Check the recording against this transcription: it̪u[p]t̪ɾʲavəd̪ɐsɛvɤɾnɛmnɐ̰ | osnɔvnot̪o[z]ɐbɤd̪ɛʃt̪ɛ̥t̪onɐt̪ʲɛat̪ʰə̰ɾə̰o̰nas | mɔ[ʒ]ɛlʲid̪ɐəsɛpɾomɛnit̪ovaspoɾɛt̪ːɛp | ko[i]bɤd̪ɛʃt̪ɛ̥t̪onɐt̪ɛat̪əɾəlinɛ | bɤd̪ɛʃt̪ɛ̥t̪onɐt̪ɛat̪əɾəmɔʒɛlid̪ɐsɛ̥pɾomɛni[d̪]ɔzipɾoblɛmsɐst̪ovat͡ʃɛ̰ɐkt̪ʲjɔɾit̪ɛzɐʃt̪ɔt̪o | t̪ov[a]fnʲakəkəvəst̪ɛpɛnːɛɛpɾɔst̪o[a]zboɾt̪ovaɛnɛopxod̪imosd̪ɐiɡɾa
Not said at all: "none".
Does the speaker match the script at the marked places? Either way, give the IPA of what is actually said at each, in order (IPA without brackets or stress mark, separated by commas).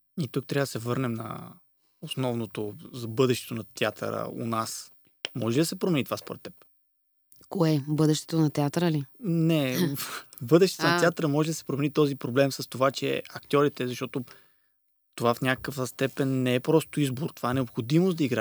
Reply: k, z, ʒ, ɛ, t̪, a, i